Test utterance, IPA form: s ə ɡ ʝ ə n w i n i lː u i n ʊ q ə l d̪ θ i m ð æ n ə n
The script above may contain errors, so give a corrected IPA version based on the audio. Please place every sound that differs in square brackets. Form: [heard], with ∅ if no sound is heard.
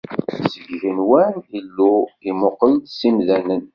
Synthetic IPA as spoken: s ə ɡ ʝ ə n w [æ] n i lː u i [m] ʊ q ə l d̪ [s] i m ð æ n ə n